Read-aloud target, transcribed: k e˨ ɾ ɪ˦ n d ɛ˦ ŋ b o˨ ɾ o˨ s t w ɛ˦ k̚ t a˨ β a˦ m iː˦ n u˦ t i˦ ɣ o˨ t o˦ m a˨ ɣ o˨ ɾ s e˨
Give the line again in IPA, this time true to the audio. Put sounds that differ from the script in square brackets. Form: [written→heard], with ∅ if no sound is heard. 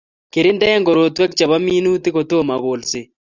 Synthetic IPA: k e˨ ɾ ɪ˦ n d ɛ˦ ŋ [b→ɡ] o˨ ɾ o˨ [s→∅] t w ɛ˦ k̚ [t→t͡ʃ] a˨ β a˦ m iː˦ n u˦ t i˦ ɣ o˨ t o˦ m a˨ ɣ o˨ [ɾ→l] s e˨